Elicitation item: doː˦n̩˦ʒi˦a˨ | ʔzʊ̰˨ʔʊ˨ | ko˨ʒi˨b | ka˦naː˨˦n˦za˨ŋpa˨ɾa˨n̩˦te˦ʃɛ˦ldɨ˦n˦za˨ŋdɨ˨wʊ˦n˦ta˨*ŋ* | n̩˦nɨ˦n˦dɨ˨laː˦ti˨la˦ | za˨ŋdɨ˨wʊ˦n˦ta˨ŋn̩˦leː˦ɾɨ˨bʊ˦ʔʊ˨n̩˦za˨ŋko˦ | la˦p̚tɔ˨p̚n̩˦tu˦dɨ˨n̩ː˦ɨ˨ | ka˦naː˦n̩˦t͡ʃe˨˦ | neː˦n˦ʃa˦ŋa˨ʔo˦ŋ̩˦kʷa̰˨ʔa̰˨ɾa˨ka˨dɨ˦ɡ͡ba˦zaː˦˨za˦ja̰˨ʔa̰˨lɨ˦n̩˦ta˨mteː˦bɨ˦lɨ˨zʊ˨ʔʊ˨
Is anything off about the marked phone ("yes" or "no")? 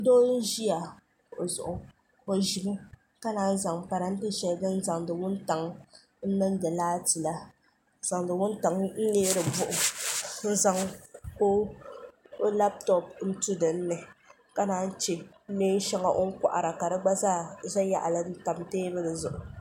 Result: no